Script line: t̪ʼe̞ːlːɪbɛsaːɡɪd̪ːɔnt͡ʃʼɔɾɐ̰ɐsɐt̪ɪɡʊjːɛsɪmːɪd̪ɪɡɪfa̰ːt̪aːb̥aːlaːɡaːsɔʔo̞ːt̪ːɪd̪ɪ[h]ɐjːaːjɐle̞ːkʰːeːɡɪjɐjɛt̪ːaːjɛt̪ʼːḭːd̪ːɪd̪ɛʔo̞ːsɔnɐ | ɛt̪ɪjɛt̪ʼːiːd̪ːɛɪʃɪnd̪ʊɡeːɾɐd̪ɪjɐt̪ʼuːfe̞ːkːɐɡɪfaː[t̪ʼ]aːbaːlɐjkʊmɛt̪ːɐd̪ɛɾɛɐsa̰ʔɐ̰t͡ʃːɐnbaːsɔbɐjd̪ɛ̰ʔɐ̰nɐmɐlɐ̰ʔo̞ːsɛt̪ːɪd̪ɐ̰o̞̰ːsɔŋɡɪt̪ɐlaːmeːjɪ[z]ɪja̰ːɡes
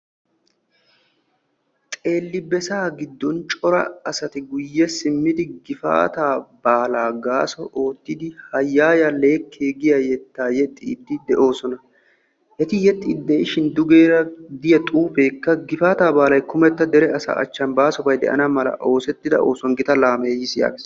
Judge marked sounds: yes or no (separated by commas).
yes, no, no